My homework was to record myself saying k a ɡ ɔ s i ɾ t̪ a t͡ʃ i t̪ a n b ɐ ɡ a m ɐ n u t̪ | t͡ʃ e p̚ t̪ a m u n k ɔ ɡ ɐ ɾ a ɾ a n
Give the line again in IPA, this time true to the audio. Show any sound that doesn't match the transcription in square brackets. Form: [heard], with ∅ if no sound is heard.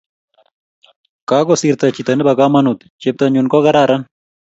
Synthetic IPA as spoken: k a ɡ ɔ s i ɾ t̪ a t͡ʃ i t̪ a n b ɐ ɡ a m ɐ n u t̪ | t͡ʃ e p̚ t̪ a [ɲ] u n k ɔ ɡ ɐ ɾ a ɾ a n